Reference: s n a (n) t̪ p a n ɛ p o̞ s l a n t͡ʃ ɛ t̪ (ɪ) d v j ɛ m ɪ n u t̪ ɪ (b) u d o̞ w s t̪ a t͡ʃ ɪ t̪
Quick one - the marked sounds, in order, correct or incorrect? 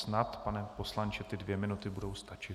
incorrect: none, correct, correct

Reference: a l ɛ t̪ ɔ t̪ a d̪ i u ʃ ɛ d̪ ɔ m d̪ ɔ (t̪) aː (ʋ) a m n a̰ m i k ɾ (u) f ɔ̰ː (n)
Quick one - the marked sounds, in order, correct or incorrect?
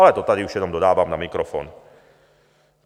incorrect: d̪, correct, incorrect: ɔ, correct

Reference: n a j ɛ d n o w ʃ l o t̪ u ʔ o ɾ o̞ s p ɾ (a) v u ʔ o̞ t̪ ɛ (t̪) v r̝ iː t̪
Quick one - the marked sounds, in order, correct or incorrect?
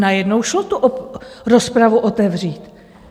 correct, incorrect: none

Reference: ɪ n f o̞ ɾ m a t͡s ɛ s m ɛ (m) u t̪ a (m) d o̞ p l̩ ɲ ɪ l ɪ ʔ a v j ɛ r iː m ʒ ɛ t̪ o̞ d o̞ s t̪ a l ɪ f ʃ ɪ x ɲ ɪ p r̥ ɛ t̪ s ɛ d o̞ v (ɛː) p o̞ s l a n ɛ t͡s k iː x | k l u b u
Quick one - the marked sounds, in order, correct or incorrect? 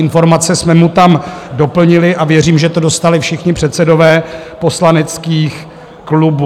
correct, correct, correct

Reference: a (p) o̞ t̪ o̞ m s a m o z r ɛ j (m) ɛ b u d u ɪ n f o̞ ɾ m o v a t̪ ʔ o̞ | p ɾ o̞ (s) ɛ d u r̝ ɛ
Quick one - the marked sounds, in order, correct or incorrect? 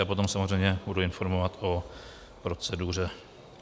correct, incorrect: ɲ, incorrect: t͡s

